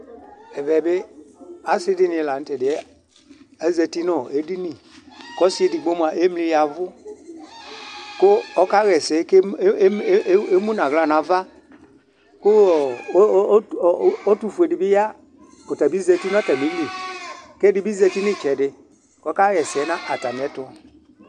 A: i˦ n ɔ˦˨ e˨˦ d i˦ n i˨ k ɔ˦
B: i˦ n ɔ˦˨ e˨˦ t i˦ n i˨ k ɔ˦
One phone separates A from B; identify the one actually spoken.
A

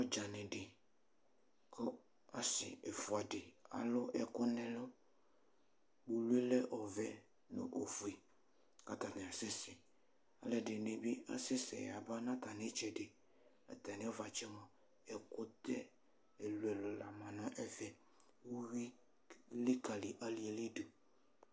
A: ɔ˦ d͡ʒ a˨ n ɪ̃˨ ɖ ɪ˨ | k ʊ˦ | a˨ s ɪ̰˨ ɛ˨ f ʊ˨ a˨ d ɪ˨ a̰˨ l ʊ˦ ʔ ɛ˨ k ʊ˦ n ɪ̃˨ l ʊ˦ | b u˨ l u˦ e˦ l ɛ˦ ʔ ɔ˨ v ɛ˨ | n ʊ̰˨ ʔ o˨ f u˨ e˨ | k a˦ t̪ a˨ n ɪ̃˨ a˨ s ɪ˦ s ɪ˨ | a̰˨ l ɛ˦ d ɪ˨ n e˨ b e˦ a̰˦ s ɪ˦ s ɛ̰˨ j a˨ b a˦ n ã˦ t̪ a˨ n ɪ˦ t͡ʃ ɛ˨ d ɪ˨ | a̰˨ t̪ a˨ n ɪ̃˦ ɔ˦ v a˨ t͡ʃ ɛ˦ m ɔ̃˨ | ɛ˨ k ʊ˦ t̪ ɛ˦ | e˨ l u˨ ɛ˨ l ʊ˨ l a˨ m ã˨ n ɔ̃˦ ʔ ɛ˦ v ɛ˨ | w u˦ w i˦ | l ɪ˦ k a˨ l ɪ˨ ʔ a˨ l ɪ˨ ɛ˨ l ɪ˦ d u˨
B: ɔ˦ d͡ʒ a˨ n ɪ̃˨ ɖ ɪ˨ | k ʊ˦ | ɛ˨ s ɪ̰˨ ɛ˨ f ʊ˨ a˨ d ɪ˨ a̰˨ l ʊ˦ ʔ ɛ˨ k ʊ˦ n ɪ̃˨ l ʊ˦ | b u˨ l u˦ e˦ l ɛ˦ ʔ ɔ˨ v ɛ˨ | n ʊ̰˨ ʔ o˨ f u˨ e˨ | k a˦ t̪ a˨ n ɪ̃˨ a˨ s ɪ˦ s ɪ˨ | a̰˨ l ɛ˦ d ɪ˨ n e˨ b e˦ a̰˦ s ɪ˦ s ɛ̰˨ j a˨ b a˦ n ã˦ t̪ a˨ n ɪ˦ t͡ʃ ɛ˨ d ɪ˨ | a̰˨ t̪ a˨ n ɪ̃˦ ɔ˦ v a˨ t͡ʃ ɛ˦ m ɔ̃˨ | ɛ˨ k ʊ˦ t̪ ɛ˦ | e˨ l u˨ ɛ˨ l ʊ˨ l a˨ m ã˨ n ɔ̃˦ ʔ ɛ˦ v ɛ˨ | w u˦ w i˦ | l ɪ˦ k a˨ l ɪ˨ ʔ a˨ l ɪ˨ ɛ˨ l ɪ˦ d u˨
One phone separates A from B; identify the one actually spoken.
A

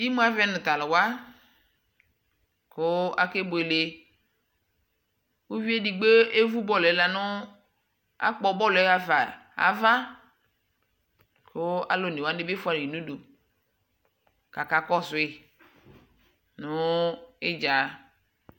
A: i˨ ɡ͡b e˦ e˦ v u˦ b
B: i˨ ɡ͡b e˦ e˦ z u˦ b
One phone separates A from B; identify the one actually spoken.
A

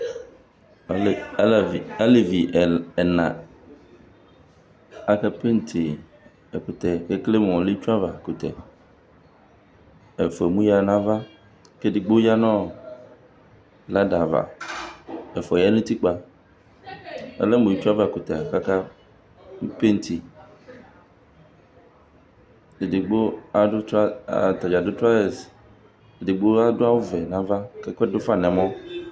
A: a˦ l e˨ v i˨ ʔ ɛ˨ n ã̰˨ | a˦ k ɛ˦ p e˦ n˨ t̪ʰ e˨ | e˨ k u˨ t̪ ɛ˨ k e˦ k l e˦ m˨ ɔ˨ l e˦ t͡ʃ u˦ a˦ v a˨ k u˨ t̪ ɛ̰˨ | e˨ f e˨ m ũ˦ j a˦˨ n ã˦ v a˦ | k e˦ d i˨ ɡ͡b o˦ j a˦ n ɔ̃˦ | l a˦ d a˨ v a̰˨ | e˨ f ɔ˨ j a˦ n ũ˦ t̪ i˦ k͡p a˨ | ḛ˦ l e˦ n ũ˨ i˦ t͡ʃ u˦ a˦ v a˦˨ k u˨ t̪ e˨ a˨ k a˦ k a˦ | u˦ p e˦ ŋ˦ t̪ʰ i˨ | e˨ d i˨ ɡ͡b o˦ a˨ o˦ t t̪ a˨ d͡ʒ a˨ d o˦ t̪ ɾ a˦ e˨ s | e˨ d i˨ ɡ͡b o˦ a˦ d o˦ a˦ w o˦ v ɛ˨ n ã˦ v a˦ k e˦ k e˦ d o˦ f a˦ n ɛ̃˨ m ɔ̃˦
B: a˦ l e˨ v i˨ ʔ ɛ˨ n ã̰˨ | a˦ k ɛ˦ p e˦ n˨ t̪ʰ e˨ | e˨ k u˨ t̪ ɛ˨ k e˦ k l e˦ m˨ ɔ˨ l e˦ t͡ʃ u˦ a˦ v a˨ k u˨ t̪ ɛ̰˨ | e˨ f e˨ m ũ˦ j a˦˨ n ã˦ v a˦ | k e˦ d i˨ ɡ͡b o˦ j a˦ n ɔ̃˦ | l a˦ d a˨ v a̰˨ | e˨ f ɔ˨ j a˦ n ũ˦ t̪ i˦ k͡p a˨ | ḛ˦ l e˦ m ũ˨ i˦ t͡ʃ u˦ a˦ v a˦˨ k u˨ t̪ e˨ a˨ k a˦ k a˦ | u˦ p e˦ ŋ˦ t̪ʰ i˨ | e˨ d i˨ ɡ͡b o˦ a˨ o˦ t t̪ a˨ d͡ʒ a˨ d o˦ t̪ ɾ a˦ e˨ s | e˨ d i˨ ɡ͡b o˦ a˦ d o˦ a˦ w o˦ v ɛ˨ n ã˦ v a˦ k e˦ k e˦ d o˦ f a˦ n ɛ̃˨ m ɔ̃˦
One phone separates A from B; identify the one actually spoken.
B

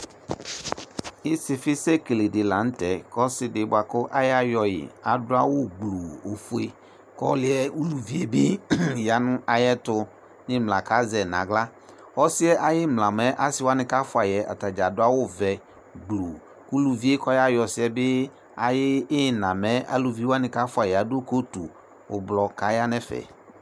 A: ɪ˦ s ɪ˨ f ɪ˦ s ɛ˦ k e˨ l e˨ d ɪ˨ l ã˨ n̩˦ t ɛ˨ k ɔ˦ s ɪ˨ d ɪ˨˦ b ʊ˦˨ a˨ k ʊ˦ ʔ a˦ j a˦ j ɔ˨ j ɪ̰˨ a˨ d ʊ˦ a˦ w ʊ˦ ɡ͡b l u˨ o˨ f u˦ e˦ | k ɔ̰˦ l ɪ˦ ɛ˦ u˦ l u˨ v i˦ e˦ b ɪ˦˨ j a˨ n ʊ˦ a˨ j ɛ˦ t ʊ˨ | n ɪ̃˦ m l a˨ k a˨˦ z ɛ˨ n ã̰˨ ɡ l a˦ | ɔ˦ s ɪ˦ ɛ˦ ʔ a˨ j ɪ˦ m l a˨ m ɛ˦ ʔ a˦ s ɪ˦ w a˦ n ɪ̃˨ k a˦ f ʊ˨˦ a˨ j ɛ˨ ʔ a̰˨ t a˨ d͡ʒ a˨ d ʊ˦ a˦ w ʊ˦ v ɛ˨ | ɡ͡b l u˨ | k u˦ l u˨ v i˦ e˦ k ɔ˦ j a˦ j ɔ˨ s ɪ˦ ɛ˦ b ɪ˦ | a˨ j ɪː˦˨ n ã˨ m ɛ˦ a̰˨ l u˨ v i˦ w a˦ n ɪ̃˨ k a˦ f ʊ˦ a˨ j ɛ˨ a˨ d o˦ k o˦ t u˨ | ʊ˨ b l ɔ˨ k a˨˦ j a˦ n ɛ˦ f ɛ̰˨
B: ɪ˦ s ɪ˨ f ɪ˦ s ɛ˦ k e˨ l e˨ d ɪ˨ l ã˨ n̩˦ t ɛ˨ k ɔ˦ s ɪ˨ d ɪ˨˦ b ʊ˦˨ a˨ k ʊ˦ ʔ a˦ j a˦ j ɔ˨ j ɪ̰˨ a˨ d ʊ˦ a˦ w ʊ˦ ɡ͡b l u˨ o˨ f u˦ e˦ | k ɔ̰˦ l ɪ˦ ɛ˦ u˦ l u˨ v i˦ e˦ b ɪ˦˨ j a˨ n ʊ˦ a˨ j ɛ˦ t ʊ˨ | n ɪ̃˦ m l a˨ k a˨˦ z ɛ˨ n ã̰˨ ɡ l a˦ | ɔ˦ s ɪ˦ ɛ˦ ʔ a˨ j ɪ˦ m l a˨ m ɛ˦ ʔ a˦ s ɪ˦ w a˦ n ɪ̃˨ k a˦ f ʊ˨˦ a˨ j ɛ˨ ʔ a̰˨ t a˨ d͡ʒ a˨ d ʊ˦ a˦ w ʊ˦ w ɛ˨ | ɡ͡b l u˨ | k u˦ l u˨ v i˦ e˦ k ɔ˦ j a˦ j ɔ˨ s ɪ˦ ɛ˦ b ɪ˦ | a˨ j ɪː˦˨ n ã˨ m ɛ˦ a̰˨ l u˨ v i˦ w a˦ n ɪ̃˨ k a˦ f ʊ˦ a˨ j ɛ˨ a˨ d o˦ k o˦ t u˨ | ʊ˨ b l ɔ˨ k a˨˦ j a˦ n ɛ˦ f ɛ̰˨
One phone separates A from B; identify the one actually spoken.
A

